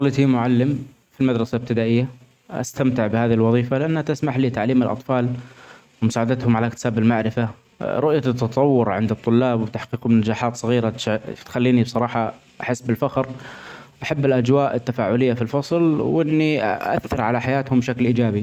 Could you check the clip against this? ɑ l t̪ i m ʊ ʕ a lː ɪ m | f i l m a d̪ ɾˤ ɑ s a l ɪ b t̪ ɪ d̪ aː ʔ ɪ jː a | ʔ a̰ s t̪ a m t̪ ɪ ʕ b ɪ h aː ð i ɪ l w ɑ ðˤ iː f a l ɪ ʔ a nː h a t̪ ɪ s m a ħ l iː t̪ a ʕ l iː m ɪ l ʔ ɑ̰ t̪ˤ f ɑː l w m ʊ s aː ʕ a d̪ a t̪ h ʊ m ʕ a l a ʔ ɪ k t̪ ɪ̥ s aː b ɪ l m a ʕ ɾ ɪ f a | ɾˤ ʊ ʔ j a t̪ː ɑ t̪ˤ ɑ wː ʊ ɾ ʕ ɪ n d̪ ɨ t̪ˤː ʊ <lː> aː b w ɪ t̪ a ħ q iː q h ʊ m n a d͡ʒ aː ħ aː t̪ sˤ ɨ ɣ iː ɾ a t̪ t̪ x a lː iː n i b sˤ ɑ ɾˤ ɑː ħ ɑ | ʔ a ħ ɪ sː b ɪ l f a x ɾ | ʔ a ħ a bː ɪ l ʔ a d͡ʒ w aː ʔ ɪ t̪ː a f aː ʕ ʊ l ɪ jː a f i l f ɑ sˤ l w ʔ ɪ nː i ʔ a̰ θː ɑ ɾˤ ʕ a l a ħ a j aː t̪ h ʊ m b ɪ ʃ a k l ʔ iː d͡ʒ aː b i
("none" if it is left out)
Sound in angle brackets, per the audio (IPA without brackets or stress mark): lː